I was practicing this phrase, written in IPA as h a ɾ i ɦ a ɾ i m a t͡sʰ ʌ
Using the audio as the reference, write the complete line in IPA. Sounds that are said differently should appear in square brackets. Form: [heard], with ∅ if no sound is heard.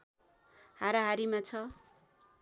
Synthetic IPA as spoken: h a ɾ [a] ɦ a ɾ i m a t͡sʰ ʌ

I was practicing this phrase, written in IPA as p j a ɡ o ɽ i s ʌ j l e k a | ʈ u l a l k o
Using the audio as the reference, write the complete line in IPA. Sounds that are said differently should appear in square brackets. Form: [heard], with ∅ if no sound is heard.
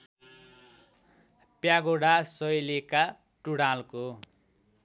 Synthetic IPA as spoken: p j a ɡ o ɽ [a] s ʌ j l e k a | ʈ u [ɽ] a l k o

